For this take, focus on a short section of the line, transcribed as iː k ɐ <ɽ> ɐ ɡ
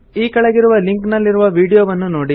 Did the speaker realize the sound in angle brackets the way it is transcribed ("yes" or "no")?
no